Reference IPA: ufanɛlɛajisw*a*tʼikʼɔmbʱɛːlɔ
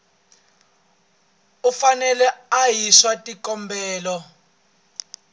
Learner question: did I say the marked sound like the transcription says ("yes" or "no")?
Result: yes